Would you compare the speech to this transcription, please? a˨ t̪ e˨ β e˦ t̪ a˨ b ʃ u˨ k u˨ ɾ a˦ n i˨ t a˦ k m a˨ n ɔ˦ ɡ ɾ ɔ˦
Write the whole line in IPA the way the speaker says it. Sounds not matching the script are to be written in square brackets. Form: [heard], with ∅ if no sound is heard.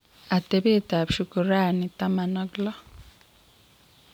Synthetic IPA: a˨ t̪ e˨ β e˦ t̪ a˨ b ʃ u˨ k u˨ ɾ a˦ n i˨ t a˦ [∅] m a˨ n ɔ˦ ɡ [l] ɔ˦